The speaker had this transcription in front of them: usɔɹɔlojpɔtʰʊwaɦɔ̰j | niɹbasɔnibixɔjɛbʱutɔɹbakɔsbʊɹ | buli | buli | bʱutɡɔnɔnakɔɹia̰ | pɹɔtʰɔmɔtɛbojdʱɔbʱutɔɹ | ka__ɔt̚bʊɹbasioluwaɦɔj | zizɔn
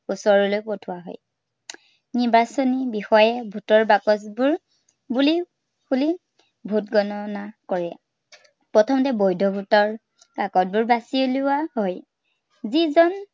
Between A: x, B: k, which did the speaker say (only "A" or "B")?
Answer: B